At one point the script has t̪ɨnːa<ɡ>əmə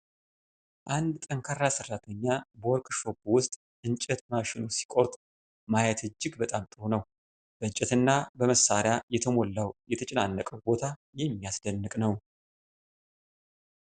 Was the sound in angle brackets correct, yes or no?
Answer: no